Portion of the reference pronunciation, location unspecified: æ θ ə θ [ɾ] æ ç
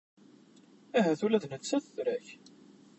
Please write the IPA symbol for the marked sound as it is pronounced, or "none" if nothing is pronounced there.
ɾ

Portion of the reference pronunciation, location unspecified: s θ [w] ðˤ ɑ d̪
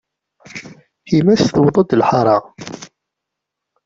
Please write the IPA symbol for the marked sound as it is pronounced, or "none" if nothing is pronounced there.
w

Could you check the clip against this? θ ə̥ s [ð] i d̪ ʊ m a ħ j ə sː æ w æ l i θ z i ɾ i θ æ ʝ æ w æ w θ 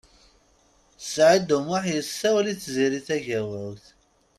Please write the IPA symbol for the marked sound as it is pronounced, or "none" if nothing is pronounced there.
ʕ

